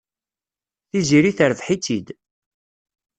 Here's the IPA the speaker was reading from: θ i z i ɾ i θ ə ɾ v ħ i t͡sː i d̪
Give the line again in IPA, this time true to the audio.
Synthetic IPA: θ i z i ɾ i θ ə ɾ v ħ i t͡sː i d̪